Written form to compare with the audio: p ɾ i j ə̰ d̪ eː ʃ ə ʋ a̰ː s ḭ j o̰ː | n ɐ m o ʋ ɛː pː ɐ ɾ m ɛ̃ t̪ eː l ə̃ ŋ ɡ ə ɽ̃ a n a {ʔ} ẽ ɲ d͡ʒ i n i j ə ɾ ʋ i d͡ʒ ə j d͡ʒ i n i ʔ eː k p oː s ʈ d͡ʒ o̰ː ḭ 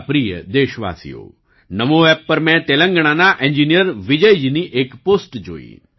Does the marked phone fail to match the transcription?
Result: no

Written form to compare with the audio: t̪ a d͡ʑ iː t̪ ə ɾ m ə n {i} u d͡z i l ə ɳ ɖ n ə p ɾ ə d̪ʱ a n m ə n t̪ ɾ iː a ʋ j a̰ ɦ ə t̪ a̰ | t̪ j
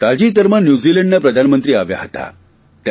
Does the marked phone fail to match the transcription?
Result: yes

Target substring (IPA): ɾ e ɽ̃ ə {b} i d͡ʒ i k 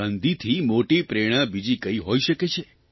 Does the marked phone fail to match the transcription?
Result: no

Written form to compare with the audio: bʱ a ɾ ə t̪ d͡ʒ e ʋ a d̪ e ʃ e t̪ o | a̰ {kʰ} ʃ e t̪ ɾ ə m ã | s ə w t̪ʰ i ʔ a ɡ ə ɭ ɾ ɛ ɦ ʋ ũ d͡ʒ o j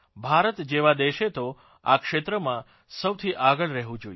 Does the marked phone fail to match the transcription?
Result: yes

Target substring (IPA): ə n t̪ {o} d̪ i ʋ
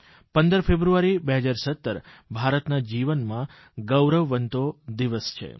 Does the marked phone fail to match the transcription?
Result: no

